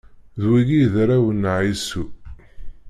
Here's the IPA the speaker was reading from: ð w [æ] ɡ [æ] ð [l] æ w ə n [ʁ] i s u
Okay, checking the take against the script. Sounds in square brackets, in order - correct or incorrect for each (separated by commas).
incorrect, incorrect, incorrect, incorrect